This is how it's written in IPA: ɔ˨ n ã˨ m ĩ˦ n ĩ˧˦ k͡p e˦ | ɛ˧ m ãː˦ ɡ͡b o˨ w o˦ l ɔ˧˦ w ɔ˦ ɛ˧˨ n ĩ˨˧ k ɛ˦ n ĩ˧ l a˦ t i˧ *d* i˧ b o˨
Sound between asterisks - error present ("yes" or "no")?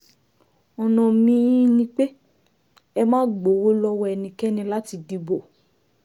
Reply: no